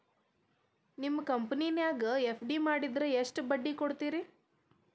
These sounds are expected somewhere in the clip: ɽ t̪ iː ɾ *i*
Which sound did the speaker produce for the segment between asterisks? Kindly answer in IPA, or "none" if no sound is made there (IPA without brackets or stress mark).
i